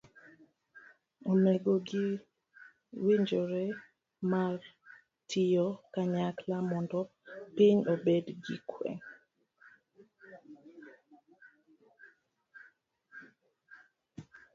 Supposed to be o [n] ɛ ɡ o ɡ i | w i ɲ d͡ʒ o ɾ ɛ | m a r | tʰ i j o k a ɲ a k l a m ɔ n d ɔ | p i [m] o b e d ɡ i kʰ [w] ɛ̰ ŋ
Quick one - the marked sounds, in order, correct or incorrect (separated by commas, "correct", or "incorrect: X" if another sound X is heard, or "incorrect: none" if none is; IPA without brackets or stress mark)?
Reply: incorrect: m, incorrect: ɲ, correct